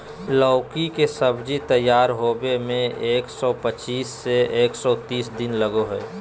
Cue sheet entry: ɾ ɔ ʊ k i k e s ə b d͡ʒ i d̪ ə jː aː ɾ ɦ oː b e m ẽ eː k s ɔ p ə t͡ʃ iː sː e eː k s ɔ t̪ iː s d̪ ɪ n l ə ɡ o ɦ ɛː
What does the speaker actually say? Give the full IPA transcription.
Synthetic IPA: l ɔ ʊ k i k e s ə b d͡ʒ i t̪ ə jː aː ɾ ɦ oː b e m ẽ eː k s ɔ p ə t͡ʃ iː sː e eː k s ɔ t̪ iː s d̪ ɪ n l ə ɡ o ɦ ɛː